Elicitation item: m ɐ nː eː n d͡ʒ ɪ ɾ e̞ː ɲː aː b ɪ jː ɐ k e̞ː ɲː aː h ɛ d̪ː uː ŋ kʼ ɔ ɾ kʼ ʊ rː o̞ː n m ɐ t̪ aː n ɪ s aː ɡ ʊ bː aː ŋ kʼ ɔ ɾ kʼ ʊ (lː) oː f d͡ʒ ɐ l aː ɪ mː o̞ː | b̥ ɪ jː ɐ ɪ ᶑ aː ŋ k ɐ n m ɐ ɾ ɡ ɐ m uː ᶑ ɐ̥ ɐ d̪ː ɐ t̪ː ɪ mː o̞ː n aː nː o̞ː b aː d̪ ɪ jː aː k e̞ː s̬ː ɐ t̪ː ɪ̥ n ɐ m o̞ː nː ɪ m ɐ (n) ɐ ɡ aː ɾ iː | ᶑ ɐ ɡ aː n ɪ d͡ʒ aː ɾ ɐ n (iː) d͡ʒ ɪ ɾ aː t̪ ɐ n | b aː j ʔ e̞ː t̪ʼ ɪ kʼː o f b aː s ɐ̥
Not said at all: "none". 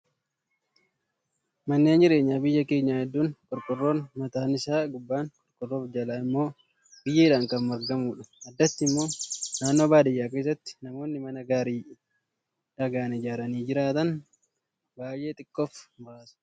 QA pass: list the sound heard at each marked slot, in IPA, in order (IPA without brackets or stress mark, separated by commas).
rː, n, iː